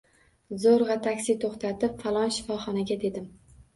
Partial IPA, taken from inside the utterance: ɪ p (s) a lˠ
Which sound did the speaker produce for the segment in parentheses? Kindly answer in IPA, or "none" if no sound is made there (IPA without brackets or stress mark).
f